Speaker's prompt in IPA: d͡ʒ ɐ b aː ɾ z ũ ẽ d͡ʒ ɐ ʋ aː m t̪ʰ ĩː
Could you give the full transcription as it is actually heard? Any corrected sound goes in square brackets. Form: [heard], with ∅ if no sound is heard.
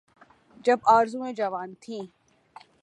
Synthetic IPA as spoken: d͡ʒ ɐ b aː ɾ z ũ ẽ d͡ʒ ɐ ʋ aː [n] t̪ʰ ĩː